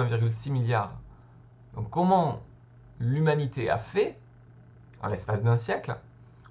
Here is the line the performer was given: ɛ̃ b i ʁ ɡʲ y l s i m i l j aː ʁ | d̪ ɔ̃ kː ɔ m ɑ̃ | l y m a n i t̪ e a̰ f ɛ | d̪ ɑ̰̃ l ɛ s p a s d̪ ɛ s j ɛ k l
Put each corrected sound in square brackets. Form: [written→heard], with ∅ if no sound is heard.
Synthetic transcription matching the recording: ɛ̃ [b→v] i ʁ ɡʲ y l s i m i l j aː ʁ | d̪ ɔ̃ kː ɔ m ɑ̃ | l y m a n i t̪ e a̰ f ɛ | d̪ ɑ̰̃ l ɛ s p a s d̪ [ɛ→ɛ̃] s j ɛ k l